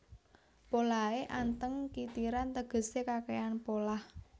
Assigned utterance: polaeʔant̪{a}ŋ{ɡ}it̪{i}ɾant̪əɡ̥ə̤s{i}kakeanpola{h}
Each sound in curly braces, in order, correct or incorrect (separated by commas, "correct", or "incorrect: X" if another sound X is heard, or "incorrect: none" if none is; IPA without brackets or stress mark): incorrect: ə, incorrect: k, correct, incorrect: e, correct